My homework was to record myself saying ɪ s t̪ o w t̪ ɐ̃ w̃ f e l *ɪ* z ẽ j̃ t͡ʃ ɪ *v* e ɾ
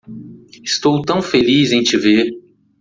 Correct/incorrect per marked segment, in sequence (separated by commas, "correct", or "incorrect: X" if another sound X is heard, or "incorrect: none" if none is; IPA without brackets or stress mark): incorrect: i, correct